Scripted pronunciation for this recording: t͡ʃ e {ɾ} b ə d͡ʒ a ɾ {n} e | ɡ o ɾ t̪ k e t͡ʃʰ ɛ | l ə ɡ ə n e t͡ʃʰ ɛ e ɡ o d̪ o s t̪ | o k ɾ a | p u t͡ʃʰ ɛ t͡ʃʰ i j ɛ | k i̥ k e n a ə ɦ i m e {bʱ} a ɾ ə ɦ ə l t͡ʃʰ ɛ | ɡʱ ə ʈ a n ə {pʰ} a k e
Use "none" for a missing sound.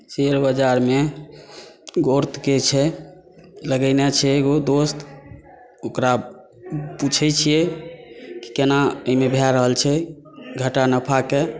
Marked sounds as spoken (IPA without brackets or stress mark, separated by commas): ɾ, m, bʱ, pʰ